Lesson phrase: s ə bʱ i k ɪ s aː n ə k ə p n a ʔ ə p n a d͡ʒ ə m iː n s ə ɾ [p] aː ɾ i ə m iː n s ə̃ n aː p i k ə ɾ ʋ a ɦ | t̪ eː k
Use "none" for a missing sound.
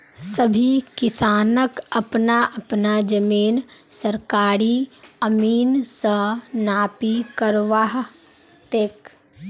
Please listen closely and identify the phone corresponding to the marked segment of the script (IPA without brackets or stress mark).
k